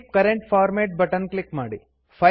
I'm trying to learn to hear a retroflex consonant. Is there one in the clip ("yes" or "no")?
yes